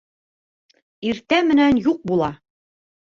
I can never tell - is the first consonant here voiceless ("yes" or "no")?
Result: no